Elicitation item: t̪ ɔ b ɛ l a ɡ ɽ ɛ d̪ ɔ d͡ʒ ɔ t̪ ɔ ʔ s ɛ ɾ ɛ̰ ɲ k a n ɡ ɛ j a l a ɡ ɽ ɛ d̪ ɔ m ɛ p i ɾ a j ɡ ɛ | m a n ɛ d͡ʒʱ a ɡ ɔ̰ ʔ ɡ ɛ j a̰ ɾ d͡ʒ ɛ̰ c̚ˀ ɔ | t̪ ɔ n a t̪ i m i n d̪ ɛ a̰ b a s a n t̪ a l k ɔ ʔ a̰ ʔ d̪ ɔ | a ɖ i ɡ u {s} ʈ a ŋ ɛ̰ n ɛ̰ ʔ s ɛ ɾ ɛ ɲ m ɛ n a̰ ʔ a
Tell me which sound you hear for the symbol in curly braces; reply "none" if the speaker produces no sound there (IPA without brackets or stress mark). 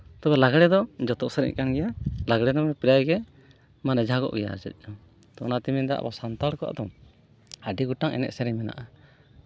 none